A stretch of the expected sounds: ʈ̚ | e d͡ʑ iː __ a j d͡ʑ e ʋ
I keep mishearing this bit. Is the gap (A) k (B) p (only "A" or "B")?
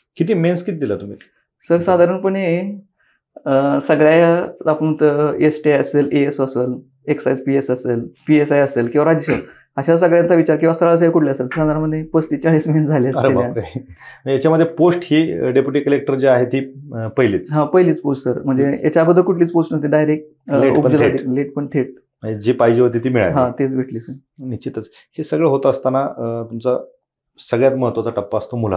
B